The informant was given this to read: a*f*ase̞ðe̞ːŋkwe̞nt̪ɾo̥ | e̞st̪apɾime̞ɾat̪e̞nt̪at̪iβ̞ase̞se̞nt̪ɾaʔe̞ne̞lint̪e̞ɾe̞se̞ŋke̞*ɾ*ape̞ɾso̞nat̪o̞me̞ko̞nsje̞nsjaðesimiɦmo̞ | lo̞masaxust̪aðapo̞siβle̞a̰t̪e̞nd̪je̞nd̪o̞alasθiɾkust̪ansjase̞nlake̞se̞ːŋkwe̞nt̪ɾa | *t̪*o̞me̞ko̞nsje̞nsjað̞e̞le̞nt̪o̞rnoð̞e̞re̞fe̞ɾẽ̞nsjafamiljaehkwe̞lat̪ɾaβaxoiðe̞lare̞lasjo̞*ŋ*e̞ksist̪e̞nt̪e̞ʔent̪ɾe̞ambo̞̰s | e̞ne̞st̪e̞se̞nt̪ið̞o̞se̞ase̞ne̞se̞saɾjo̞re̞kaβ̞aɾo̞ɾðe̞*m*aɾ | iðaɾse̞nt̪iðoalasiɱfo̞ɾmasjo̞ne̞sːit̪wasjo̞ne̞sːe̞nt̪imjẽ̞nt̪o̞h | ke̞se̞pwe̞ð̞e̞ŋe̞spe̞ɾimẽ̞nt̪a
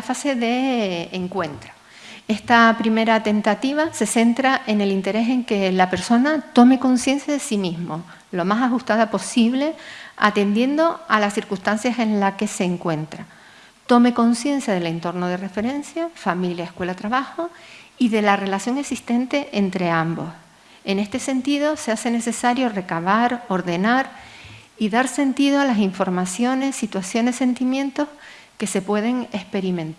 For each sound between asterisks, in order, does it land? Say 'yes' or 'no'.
yes, no, yes, yes, no

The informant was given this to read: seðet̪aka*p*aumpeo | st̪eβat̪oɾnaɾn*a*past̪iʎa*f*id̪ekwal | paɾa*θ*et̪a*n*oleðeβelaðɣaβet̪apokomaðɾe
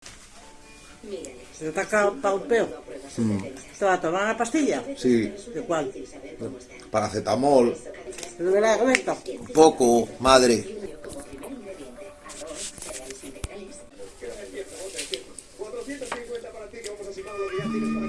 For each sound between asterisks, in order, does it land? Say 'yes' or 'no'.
yes, yes, no, yes, no

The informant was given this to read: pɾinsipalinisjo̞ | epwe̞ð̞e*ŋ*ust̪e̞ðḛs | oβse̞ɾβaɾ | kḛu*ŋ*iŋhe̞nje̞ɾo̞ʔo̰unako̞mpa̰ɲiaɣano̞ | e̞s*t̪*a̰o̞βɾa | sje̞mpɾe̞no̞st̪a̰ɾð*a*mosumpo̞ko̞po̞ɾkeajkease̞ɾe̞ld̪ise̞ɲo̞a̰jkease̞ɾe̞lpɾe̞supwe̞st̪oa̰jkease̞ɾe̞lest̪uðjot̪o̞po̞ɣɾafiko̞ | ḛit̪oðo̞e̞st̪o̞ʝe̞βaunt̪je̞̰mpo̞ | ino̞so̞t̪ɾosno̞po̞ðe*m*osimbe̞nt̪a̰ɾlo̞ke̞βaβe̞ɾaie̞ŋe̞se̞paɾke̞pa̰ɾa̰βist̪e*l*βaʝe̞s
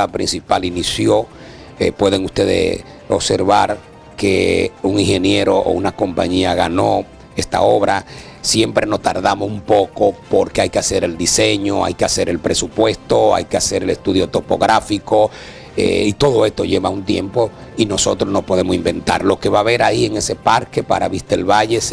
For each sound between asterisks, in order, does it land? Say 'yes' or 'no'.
yes, yes, yes, yes, yes, yes

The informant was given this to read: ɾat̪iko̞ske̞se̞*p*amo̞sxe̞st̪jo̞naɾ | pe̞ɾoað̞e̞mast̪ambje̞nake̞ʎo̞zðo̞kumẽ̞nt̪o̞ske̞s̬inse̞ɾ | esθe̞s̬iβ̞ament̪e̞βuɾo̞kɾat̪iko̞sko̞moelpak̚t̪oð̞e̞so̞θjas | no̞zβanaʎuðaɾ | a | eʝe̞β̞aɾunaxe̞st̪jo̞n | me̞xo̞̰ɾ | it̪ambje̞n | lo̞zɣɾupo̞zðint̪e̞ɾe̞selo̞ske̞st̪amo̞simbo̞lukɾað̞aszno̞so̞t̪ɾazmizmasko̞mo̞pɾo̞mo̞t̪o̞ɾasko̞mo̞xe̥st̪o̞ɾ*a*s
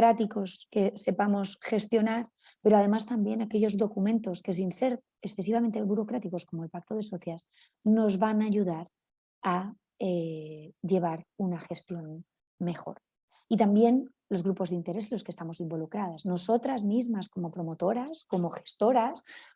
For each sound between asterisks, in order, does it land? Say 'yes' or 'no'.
yes, yes

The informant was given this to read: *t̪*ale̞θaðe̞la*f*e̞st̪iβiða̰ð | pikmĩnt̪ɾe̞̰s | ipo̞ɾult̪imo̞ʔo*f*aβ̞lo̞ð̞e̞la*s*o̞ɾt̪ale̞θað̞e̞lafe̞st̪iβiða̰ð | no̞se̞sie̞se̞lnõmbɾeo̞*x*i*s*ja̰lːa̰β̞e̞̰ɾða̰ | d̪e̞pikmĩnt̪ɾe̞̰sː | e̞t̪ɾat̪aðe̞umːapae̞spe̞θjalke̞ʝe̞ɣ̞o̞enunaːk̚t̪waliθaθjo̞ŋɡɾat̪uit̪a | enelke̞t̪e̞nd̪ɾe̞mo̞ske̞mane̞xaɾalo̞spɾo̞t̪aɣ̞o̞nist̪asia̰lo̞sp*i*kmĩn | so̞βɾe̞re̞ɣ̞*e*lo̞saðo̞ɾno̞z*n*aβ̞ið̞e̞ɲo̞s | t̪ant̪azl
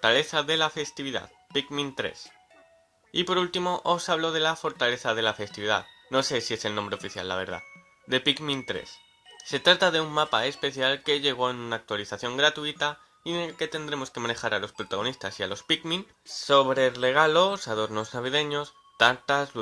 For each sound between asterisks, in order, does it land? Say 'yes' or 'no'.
yes, yes, no, no, no, no, yes, no, yes

